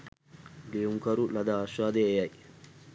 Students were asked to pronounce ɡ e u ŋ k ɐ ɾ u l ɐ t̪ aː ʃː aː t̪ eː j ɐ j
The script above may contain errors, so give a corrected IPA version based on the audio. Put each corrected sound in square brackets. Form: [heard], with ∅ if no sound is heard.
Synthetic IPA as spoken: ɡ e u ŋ k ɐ ɾ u l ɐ [d̪] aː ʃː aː [d̪] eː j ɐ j